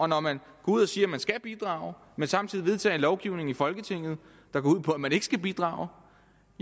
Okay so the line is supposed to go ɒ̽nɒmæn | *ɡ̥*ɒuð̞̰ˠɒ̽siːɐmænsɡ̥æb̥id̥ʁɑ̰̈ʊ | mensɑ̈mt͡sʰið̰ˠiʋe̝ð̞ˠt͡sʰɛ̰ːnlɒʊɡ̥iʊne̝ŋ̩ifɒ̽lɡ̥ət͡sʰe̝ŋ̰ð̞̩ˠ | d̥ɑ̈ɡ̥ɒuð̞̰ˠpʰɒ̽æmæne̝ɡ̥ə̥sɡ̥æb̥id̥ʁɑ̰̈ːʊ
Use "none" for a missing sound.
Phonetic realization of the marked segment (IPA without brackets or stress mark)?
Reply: ɡ̥